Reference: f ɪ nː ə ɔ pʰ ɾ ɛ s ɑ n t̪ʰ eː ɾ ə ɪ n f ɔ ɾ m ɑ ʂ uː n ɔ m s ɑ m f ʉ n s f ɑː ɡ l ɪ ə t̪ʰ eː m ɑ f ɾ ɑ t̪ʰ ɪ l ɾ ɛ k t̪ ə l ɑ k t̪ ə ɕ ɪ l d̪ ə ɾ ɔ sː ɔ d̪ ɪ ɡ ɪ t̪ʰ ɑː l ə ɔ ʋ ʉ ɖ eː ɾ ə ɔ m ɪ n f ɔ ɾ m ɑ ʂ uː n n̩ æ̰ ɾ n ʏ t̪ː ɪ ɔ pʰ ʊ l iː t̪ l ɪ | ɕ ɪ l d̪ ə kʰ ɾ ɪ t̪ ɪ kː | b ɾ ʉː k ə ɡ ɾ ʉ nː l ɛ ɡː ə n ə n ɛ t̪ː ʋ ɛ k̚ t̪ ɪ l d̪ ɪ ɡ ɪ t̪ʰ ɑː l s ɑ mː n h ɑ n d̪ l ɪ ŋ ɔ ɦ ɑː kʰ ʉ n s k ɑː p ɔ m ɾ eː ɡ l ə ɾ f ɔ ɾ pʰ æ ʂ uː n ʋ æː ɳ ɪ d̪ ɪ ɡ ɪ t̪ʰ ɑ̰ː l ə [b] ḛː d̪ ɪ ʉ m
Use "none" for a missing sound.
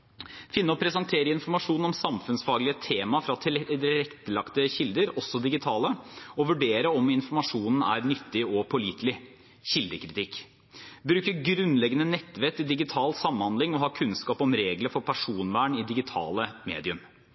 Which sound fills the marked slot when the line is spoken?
m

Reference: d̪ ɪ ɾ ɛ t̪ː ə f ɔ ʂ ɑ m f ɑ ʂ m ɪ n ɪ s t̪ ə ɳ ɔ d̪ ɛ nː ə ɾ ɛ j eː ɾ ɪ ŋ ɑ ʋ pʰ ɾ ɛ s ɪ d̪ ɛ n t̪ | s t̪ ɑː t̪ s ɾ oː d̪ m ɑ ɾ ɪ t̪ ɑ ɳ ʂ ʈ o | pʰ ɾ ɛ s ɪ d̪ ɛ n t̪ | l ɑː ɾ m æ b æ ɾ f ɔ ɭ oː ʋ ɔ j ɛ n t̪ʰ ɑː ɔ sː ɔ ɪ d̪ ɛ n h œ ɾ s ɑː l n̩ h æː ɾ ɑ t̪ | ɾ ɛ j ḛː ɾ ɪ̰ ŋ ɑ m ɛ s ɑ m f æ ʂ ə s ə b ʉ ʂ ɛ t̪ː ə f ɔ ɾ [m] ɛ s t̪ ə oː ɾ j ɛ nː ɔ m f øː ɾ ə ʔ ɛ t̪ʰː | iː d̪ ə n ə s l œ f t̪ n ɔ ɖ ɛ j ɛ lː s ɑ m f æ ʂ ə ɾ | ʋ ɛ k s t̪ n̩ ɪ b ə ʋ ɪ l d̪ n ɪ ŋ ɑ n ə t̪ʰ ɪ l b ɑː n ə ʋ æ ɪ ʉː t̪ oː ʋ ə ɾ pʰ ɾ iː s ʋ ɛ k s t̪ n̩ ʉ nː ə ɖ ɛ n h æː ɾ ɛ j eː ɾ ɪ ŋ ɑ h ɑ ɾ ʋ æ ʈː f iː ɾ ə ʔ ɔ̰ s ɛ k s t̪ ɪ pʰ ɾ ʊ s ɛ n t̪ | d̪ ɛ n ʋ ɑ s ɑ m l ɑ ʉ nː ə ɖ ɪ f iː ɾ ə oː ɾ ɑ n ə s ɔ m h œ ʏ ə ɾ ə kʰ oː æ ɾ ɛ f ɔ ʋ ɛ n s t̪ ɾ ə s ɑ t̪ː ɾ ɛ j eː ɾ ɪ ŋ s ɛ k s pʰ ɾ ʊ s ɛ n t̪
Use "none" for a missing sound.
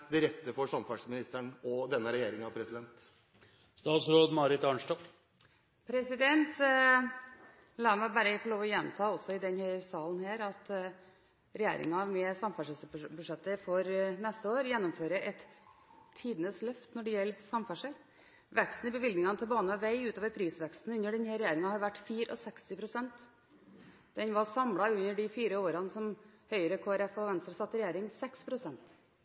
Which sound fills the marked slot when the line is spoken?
n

